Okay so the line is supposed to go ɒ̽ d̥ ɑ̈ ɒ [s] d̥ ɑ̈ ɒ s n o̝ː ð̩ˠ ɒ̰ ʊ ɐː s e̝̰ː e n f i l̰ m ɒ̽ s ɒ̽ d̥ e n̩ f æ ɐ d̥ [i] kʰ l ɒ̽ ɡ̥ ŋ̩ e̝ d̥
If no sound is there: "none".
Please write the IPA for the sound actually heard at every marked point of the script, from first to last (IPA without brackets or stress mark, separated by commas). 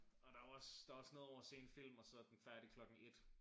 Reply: s, i